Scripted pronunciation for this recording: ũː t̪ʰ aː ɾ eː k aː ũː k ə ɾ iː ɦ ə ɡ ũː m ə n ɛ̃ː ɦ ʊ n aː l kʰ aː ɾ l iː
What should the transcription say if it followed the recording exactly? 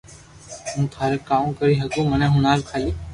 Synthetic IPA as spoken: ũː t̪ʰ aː ɾ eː k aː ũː k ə ɾ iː ɦ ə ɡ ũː m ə n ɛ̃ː ɦ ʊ n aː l kʰ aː l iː